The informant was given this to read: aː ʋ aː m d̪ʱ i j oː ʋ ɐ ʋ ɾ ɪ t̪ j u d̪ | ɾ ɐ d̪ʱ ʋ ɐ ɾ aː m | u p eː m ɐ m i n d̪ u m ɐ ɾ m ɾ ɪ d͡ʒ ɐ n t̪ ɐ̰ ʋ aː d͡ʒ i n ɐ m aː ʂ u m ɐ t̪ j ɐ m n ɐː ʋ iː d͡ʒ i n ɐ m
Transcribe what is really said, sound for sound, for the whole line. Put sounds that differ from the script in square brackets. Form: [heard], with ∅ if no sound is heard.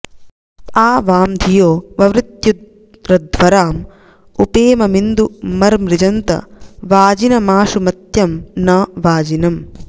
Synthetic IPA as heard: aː ʋ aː m d̪ʱ i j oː ʋ ɐ ʋ ɾ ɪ t̪ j u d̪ | ɾ ɐ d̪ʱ ʋ ɐ ɾ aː m | u p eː m ɐ m i n d̪ u m ɐ ɾ m ɾ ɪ d͡ʒ ɐ n t̪ ɐ̰ ʋ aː d͡ʒ i n ɐ m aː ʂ u m ɐ t̪ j ɐ m n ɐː ʋ [aː] d͡ʒ i n ɐ m